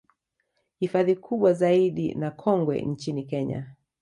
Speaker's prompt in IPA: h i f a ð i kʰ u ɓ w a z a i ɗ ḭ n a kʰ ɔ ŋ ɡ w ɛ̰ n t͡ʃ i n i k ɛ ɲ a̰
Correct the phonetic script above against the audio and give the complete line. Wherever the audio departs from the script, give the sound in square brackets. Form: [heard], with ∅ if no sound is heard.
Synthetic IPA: h i f a ð i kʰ u ɓ w a z a i ɗ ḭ n a kʰ ɔ ŋ ɡ w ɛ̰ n t͡ʃ i n i k ɛ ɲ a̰